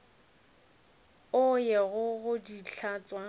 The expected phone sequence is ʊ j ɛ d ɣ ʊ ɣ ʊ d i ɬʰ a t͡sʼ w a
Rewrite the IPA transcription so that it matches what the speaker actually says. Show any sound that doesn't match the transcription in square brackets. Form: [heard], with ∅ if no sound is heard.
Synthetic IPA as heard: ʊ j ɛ [∅] ɣ ʊ ɣ ʊ d i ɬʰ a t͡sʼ w a